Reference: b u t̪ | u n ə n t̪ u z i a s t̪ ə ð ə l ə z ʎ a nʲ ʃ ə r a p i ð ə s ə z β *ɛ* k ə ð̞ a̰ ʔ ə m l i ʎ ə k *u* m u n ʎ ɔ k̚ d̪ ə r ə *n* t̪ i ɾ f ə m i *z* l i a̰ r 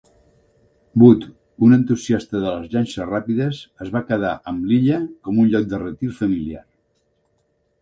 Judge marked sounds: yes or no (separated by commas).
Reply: no, no, no, no